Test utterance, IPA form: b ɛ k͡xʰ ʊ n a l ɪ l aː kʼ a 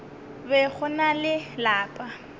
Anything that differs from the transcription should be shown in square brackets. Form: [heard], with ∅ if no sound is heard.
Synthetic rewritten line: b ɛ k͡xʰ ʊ n a l ɪ l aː [pʼ] a

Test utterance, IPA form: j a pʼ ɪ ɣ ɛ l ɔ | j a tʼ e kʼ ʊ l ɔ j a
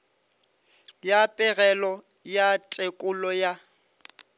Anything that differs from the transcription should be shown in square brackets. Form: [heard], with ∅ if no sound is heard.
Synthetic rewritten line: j a pʼ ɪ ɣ ɛ l ɔ | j a tʼ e kʼ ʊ l ɔ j a

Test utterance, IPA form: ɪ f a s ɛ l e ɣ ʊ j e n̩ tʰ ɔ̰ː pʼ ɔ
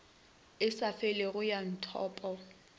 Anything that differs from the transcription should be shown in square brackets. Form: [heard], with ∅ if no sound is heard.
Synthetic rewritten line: ɪ [s] a [f] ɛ l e ɣ ʊ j [a] n̩ tʰ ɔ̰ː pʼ ɔ

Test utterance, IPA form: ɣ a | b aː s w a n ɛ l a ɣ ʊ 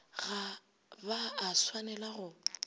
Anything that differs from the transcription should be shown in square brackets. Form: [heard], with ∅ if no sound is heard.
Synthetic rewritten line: ɣ a | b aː s w a n ɛ l a ɣ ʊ

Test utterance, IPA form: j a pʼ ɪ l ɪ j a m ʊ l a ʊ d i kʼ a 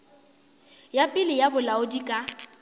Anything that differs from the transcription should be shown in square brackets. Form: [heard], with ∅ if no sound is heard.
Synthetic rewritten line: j a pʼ ɪ l ɪ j a [b] ʊ l a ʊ d i kʼ a

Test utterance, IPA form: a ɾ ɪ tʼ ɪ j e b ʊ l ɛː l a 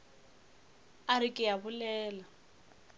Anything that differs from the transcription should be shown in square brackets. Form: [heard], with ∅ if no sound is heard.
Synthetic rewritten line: a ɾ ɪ [kʼ] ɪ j [a] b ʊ l ɛː l a

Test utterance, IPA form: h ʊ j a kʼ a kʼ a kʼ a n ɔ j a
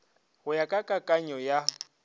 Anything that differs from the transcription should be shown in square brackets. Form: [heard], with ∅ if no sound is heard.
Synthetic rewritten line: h ʊ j a kʼ a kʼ a kʼ a [ɲ] ɔ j a

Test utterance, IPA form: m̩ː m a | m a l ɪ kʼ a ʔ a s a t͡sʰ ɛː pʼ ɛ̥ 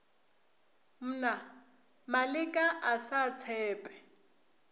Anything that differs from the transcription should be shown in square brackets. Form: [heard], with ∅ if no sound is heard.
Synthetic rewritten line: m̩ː [n] a | m a l ɪ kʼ a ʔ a s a t͡sʰ ɛː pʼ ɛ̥

